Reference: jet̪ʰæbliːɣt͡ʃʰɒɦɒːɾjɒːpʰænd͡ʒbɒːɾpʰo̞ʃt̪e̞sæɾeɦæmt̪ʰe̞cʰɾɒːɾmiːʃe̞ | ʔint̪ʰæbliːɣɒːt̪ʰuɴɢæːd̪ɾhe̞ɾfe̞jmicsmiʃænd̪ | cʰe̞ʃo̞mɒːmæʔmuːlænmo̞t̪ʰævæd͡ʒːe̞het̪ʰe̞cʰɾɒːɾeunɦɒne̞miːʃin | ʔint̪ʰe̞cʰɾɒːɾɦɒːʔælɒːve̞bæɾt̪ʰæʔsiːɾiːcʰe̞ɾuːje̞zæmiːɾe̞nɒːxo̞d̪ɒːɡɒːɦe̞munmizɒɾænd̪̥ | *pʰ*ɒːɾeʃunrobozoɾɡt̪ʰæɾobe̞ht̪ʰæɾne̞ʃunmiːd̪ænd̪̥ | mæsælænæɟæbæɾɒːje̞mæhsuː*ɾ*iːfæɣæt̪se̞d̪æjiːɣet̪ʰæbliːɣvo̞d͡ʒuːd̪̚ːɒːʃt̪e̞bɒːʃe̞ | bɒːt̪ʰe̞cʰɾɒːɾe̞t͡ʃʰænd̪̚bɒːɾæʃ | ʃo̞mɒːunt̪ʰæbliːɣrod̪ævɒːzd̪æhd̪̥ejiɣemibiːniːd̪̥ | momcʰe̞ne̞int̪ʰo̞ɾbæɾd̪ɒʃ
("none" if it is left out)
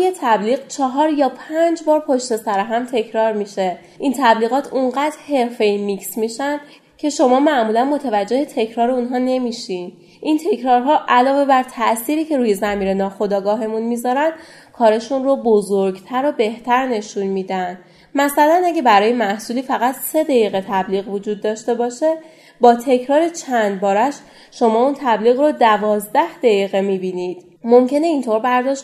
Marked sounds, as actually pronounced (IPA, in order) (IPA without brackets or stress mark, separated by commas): kʰ, l